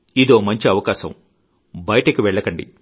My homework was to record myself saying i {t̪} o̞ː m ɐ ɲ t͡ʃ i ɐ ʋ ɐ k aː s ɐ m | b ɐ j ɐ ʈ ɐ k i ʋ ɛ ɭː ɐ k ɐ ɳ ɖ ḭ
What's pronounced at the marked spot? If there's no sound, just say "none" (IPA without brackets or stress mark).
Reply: d̪